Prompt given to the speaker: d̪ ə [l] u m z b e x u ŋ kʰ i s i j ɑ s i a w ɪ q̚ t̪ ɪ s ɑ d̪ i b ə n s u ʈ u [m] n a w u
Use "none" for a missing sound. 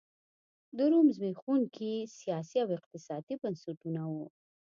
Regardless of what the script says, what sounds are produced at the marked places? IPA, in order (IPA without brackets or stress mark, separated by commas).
ɾ, none